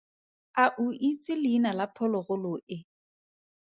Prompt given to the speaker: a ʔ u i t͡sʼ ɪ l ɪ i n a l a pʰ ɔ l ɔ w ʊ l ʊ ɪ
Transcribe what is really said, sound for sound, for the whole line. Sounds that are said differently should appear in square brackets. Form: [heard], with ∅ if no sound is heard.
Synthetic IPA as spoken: a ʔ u i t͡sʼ ɪ l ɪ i n a l a pʰ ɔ l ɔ [ɣ] ʊ l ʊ ɪ